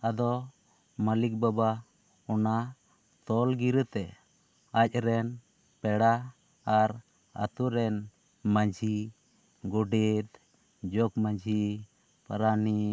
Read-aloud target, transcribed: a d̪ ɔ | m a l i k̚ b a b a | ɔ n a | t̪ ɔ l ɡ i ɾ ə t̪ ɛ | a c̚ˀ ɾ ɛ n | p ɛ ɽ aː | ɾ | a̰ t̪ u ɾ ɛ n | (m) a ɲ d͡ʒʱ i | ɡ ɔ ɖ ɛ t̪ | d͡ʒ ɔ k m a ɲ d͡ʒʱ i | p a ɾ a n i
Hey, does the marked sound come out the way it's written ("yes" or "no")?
yes